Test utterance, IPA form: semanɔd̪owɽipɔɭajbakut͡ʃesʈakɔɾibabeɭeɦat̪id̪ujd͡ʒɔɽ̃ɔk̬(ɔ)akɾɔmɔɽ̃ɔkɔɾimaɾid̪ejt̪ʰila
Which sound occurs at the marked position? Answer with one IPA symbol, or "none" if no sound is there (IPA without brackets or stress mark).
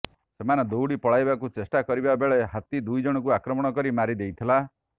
u